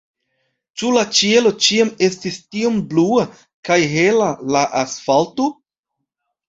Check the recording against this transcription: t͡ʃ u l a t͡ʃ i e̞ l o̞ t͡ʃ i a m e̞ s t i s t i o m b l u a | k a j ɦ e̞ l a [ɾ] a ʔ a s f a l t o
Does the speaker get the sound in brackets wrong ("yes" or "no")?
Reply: yes